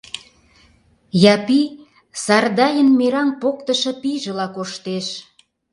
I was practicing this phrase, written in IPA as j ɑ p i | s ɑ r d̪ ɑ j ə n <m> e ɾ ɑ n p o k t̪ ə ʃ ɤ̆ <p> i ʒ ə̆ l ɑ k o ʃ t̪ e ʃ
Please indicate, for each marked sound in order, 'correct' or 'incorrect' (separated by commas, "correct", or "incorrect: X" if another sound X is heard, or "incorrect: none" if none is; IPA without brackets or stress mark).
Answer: correct, correct